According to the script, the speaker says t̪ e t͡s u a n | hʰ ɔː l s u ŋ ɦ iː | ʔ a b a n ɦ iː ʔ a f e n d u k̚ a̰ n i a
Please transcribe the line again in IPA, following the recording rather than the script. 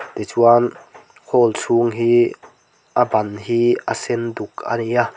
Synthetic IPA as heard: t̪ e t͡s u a n | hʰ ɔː l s u ŋ ɦ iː | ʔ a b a n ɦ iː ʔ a s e n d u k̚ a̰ n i a